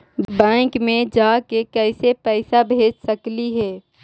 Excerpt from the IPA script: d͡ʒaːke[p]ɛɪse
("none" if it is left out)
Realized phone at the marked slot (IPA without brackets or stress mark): k